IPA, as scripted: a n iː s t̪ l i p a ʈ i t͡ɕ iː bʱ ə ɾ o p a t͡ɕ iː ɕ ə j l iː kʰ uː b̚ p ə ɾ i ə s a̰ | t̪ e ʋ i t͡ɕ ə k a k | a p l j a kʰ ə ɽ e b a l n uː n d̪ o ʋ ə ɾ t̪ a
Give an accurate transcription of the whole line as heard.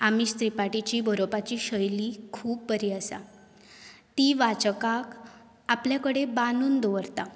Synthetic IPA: a m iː s t̪ ɾ i p a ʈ i t͡ɕ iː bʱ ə ɾ o p a t͡ɕ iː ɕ ə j l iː kʰ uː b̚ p ə ɾ i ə s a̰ | t̪ i ʋ a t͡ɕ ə k a k | a p l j a k ə ɽ e b a n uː n d̪ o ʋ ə ɾ t̪ a